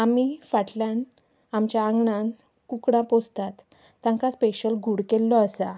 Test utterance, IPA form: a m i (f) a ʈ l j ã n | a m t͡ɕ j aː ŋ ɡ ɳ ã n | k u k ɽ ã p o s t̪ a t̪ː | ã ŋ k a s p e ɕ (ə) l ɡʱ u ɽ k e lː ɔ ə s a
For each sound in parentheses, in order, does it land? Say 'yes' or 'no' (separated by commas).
yes, yes